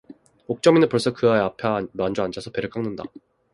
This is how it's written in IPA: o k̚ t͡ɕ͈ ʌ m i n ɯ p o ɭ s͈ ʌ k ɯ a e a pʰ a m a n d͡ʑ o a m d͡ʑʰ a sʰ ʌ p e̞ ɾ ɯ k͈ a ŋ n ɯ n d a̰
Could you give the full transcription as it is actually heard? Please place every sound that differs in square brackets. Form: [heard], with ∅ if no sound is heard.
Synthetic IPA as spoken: o k̚ t͡ɕ͈ ʌ m i n ɯ p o ɭ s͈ ʌ k ɯ a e a pʰ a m a n d͡ʑ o a [n] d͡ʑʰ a sʰ ʌ p e̞ ɾ ɯ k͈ a ŋ n ɯ n d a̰